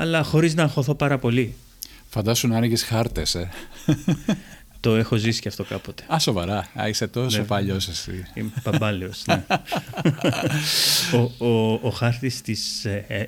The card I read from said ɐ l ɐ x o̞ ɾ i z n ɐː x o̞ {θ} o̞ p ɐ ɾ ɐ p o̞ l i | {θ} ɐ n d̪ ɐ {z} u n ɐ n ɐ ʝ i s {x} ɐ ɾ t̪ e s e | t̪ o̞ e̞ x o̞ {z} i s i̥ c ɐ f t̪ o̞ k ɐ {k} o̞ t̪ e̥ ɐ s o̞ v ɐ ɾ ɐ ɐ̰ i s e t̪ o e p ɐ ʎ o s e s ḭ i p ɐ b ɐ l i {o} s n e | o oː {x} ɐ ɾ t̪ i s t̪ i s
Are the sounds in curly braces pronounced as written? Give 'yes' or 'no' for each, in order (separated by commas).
yes, no, no, yes, yes, no, yes, yes